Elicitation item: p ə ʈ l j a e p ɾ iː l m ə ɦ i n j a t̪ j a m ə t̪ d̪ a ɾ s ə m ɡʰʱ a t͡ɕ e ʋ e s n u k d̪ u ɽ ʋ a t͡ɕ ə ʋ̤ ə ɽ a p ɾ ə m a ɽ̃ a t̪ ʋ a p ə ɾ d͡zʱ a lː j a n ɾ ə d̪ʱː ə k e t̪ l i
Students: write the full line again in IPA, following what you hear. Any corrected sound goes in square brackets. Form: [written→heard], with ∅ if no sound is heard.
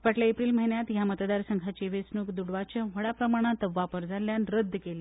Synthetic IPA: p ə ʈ l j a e p ɾ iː l m ə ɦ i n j a t̪ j a m ə t̪ d̪ a ɾ s ə [m→ŋ] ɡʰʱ a t͡ɕ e ʋ e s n u k d̪ u ɽ ʋ a t͡ɕ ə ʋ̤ ə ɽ a p ɾ ə m a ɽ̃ a t̪ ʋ a p ə ɾ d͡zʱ a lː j a n ɾ ə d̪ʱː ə k e [t̪→∅] l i